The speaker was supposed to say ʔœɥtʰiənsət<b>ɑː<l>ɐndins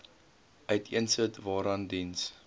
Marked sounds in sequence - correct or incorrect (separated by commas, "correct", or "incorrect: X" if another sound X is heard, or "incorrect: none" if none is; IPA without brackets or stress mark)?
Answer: incorrect: v, incorrect: ɾ